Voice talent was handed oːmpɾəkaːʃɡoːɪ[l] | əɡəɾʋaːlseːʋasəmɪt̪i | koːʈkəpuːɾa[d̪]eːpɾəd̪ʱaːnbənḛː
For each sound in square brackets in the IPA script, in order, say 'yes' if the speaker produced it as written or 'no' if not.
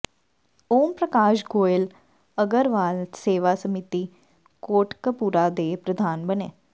yes, yes

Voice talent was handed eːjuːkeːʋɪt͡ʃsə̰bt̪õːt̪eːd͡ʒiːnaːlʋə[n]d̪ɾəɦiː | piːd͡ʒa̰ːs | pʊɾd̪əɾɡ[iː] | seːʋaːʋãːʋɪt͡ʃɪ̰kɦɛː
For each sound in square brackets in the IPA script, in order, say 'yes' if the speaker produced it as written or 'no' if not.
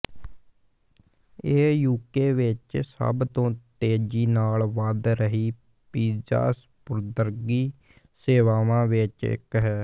no, yes

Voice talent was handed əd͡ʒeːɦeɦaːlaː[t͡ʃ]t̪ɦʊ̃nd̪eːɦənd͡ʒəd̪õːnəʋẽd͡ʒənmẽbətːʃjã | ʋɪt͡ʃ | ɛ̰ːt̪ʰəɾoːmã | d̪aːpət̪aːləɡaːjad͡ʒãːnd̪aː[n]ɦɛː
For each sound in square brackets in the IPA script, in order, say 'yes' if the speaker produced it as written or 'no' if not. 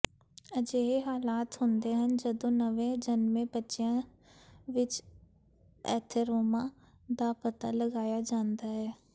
no, no

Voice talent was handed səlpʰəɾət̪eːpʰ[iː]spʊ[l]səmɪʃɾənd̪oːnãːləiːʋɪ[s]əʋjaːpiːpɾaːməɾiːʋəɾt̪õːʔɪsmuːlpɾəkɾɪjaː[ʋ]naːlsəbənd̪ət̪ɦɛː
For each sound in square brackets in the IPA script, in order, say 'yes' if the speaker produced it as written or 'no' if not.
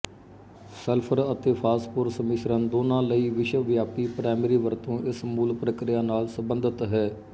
no, no, no, no

